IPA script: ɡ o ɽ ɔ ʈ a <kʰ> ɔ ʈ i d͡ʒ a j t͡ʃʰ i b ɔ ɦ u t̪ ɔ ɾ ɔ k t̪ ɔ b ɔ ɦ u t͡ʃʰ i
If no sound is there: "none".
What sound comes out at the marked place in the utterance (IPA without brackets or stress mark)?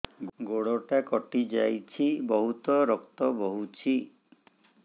k